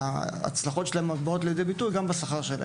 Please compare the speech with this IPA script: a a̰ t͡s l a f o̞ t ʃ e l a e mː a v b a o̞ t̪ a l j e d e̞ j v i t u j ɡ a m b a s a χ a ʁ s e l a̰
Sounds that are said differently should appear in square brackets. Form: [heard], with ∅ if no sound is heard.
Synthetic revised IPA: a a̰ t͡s l a [χ] o̞ t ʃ e l a e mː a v b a o̞ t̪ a l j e d e̞ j [b] i t u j ɡ a m b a s a χ a ʁ [ʃ] e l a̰